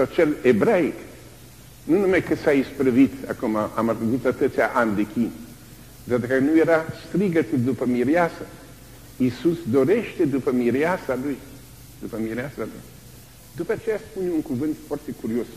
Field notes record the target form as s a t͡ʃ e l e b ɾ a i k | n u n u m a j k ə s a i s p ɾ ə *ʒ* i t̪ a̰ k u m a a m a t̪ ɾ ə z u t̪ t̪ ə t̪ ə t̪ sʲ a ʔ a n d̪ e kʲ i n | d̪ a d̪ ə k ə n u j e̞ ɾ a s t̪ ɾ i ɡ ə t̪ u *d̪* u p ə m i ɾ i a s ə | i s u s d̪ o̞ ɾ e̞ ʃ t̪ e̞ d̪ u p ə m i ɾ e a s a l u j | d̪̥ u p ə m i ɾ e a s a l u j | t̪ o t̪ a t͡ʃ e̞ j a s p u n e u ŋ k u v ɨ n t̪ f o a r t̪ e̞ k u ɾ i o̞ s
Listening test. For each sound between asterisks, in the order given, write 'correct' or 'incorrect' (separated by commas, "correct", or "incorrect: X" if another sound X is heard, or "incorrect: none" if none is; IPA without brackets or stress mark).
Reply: incorrect: v, correct